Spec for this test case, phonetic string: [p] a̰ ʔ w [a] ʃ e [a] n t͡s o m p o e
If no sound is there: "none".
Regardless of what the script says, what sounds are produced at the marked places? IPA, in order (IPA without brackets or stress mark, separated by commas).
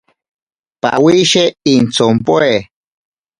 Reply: p, i, i